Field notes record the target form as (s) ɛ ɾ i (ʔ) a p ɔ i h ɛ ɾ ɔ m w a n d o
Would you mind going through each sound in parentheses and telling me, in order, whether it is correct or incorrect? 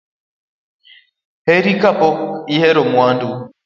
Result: incorrect: h, incorrect: k

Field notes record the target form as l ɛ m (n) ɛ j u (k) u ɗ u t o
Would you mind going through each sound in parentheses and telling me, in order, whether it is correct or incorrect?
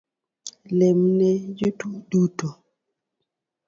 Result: correct, incorrect: t

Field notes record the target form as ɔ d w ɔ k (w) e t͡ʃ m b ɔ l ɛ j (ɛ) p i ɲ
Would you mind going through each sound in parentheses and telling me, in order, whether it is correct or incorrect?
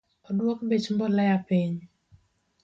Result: incorrect: b, incorrect: a

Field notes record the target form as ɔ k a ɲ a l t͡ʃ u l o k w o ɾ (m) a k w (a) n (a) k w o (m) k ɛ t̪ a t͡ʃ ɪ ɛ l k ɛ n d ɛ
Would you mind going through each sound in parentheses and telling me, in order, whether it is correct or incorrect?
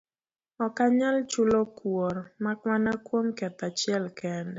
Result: correct, correct, correct, correct

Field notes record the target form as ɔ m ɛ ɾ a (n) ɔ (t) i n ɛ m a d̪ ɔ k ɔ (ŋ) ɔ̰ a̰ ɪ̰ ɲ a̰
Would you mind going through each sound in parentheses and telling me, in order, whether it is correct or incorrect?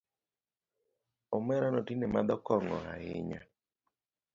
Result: correct, correct, correct

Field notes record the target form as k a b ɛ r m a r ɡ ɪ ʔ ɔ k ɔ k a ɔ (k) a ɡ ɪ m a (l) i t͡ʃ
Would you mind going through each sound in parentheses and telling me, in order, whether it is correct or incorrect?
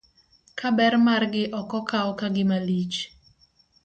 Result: correct, correct

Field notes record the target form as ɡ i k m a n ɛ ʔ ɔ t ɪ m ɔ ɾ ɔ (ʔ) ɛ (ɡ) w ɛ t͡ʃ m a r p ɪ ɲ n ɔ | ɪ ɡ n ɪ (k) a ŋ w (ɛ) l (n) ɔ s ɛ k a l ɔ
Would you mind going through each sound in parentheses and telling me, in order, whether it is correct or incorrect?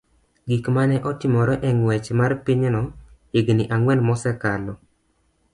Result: correct, incorrect: ŋ, incorrect: ʔ, correct, incorrect: m

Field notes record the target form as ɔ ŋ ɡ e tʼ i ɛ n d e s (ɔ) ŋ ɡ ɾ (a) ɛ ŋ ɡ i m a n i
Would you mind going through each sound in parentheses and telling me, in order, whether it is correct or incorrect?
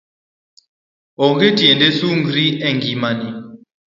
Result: incorrect: u, incorrect: i

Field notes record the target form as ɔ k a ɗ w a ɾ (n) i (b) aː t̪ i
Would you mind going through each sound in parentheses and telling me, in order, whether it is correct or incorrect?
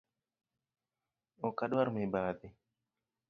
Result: incorrect: m, correct

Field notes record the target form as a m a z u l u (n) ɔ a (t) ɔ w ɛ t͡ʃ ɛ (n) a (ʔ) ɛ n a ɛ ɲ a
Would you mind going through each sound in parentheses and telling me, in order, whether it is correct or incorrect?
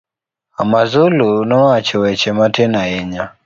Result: correct, incorrect: t͡ʃ, incorrect: m, incorrect: t

